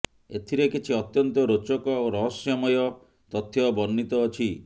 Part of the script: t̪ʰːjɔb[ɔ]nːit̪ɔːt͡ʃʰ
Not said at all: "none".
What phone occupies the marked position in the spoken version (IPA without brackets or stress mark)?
ɔ